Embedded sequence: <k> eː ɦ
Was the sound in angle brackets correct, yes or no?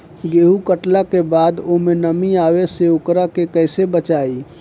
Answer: no